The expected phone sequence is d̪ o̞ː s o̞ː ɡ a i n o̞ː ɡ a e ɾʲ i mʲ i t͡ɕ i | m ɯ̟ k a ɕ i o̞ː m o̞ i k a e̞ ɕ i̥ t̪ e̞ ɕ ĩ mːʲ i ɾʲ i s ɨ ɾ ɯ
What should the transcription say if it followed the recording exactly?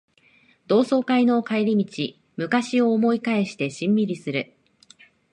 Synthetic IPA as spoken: d̪ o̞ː s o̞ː k a i n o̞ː k a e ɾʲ i mʲ i t͡ɕ i | m ɯ̟ k a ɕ i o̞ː m o̞ i k a e̞ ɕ i̥ t̪ e̞ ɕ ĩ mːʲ i ɾʲ i s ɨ ɾ ɯ